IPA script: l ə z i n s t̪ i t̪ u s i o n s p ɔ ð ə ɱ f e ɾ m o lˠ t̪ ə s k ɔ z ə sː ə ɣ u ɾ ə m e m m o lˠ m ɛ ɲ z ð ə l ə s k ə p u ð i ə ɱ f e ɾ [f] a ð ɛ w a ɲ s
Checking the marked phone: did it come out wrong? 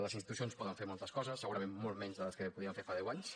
no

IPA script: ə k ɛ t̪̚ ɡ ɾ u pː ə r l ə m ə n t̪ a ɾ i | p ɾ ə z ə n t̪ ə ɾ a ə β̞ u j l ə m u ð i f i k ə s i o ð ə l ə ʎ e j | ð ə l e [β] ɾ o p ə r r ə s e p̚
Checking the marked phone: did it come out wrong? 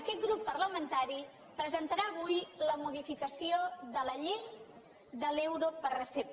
yes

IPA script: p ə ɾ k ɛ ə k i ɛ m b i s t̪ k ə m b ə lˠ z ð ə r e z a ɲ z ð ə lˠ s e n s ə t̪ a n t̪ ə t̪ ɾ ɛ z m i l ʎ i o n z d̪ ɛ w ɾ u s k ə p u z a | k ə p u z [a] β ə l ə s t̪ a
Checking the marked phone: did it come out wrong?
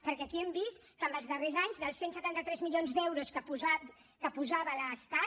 no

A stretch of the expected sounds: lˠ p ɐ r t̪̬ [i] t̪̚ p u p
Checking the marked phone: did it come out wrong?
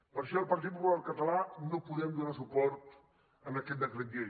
no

